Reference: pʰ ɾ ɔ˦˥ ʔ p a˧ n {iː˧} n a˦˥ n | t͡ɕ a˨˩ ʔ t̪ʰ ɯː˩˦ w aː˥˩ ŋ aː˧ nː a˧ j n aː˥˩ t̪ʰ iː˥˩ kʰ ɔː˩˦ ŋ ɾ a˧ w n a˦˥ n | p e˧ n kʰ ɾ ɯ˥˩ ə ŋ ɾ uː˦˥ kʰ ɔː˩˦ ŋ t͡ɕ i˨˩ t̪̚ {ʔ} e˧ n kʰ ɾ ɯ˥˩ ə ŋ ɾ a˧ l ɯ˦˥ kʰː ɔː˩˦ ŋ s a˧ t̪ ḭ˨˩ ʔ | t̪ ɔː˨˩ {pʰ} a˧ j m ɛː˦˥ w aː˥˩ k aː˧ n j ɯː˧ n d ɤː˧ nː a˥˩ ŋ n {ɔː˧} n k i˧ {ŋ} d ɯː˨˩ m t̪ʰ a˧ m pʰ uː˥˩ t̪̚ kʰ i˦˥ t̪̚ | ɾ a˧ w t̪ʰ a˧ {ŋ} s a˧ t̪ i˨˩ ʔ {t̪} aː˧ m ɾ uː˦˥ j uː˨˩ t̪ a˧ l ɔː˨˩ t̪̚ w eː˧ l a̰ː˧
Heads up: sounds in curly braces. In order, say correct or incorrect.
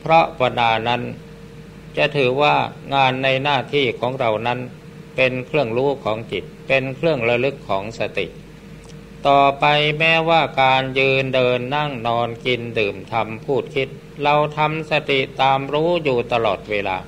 incorrect, incorrect, incorrect, correct, incorrect, incorrect, correct

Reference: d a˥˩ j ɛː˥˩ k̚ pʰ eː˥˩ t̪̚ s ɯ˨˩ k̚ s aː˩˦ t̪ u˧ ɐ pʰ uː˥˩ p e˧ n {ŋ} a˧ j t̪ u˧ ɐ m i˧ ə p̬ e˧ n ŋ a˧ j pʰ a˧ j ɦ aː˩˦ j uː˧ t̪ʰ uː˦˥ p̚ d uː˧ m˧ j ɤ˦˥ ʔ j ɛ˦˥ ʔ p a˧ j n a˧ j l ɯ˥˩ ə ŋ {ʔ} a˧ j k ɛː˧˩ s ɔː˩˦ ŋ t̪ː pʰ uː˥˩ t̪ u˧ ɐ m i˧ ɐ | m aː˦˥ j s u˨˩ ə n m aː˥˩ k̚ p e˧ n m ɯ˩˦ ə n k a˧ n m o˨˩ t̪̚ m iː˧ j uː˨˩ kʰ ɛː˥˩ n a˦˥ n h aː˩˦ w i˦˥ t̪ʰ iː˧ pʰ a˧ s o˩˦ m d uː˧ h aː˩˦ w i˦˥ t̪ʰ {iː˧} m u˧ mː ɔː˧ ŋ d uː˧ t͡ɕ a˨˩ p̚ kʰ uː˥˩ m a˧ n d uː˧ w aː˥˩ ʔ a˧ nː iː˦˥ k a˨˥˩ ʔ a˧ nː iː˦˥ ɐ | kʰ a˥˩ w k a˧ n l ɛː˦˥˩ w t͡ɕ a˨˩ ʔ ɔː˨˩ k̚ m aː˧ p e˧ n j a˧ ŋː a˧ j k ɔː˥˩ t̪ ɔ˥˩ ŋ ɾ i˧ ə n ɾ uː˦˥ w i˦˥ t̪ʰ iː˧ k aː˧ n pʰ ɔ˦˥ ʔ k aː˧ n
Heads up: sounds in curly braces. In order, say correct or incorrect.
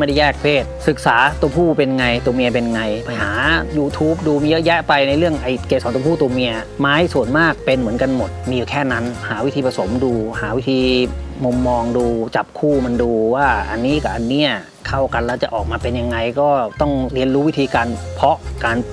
correct, correct, correct

